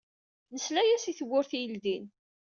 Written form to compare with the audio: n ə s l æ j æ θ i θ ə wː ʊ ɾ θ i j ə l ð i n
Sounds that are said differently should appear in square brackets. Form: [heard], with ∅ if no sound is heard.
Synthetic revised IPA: n ə s l æ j æ [s] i θ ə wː ʊ ɾ θ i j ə l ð i n